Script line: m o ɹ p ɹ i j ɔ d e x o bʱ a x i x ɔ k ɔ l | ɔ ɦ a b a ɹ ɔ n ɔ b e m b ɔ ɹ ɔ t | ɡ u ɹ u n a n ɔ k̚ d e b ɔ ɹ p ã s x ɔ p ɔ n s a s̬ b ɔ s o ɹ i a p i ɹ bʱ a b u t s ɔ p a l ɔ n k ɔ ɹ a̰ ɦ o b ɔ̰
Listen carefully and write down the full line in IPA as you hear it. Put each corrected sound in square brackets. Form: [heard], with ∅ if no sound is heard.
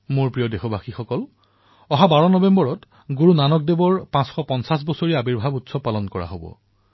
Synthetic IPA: m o ɹ p ɹ i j ɔ d e x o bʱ a x i x ɔ k ɔ l | ɔ ɦ a b a ɹ ɔ n ɔ b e m b ɔ ɹ ɔ t | ɡ u ɹ u n a n ɔ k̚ d e b ɔ ɹ p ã s x ɔ p ɔ n s a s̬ b ɔ s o ɹ i a [b] i ɹ bʱ a b u t s ɔ p a l ɔ n k ɔ ɹ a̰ ɦ o b ɔ̰